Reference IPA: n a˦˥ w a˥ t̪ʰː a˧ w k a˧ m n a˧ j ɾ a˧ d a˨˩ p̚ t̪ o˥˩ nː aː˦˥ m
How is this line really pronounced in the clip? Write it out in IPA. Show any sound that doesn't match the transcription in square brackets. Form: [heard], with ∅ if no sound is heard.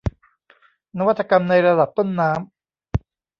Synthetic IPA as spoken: n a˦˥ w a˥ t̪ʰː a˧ [∅] k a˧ m n a˧ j ɾ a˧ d a˨˩ p̚ t̪ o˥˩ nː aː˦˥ m